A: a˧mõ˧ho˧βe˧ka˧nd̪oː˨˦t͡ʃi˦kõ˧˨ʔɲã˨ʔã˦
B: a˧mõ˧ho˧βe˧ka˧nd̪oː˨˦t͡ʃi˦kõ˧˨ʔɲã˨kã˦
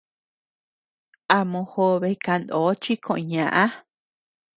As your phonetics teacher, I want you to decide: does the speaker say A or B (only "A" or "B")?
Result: A